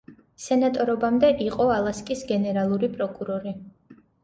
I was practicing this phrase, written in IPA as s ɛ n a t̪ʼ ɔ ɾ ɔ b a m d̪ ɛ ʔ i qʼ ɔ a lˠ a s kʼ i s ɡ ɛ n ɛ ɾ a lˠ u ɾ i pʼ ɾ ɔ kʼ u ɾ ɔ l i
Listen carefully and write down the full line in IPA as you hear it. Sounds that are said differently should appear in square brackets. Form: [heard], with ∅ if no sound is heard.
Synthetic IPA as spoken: s ɛ n a t̪ʼ ɔ ɾ ɔ b a m d̪ ɛ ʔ i qʼ ɔ a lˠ a s kʼ i s ɡ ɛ n ɛ ɾ a lˠ u ɾ i pʼ ɾ ɔ kʼ u ɾ ɔ [ɾ] i